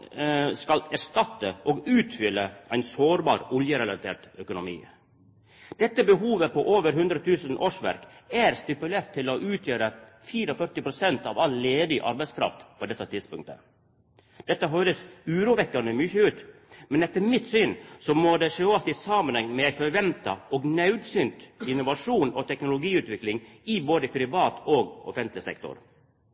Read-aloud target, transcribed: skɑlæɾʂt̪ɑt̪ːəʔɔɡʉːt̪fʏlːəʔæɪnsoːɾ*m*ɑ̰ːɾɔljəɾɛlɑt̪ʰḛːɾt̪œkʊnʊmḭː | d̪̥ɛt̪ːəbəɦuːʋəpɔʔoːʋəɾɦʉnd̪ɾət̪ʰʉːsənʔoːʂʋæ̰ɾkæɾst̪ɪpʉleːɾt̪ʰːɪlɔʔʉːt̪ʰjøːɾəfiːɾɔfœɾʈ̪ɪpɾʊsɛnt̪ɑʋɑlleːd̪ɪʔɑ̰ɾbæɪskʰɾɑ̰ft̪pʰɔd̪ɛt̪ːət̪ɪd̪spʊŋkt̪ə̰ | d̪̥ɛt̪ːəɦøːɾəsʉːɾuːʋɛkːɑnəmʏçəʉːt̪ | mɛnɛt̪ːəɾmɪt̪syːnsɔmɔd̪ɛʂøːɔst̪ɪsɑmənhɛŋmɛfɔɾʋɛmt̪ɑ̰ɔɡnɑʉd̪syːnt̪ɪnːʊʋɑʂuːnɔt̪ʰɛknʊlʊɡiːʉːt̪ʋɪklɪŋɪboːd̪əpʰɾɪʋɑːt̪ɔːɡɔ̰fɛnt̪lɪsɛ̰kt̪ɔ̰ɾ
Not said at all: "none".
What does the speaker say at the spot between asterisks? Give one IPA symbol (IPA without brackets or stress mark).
b